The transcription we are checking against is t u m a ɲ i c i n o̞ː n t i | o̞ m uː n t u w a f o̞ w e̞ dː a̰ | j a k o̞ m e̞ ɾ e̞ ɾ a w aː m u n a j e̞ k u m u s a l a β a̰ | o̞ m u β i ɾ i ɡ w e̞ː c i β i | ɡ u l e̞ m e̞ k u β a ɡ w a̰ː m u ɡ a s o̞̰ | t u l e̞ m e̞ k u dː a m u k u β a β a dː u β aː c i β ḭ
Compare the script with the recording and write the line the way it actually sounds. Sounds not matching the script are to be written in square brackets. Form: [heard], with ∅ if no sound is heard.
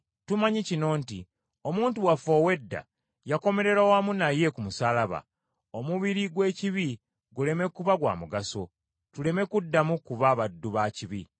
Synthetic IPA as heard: t u m a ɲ i c i n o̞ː n t i | o̞ m uː n t u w a f o̞ w e̞ dː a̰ | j a k o̞ m e̞ ɾ e̞ ɾ a w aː m u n a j e̞ k u m u s a l a β a̰ | o̞ m u β i ɾ i ɡ w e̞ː c i β i | ɡ u l e̞ m e̞ k u β a ɡ w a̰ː m u ɡ a s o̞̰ | t u l e̞ m e̞ k u dː a m u k u β a β a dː u β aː c i β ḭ